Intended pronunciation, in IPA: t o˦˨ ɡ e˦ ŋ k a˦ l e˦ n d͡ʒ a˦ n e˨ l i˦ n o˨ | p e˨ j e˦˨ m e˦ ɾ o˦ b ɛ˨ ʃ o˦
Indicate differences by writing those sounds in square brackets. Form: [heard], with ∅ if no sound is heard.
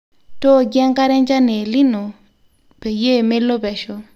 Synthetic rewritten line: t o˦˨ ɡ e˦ ŋ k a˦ [ɾ] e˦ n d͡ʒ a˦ n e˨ l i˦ n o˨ | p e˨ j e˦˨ m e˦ [l] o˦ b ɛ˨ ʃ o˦